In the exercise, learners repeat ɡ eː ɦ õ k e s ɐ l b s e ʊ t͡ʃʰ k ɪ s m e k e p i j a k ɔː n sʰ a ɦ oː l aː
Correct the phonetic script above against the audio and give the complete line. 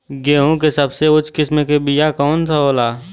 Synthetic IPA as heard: ɡ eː ɦ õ k e s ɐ b s e ʊ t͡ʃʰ k ɪ s m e k e b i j a k ɔː n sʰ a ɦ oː l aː